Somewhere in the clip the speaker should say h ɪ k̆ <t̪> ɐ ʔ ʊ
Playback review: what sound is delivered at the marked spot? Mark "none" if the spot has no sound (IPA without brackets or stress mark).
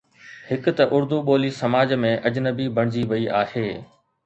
t̪